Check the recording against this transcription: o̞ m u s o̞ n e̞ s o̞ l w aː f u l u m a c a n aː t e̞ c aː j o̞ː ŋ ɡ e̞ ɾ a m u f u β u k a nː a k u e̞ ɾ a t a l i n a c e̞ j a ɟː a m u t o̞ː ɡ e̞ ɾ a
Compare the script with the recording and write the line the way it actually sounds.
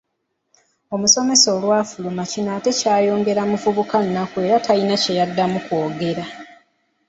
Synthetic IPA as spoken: o̞ m u s o̞ m e̞ s o̞ l w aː f u l u m a c i n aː t e̞ c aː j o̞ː ŋ ɡ e̞ ɾ a m u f u β u k a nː a k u e̞ ɾ a t a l i n a c e̞ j a dː a m u k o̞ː ɡ e̞ ɾ a